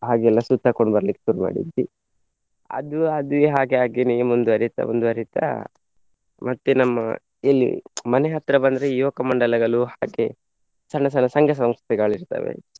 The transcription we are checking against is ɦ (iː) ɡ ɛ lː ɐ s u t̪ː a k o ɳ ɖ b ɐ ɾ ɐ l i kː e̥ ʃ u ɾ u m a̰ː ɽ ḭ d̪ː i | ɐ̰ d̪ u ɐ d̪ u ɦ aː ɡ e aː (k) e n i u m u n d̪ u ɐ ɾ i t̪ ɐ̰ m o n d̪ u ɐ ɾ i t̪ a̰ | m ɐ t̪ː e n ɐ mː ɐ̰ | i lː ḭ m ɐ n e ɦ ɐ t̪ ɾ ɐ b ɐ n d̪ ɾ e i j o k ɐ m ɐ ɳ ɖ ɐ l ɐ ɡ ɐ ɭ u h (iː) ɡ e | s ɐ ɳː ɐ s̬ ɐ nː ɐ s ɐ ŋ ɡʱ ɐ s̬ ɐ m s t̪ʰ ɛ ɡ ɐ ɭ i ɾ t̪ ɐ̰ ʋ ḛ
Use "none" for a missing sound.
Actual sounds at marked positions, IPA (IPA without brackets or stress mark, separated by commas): aː, ɡ, aː